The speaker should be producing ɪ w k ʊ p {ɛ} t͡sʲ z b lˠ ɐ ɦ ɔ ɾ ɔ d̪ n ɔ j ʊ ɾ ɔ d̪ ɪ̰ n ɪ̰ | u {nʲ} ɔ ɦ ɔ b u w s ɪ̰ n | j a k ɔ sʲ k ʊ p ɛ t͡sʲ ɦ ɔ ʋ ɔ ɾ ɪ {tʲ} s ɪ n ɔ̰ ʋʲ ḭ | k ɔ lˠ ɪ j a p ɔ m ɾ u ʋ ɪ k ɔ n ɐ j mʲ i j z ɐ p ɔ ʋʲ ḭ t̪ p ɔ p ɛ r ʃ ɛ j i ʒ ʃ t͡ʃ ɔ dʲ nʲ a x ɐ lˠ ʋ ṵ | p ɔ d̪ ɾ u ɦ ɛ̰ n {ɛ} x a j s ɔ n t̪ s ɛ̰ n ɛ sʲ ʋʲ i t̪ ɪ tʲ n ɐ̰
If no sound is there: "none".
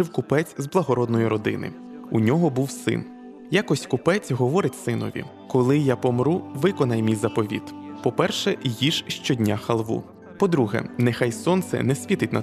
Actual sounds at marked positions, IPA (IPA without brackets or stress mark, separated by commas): ɛ, nʲ, tʲ, ɛ